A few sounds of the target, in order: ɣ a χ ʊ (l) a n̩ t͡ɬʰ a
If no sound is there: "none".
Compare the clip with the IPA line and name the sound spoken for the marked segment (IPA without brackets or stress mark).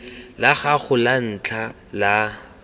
l